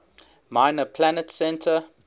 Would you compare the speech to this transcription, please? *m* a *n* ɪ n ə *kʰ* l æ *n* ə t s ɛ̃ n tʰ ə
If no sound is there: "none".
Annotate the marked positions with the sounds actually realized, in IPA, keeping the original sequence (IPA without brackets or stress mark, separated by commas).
m, none, pʰ, n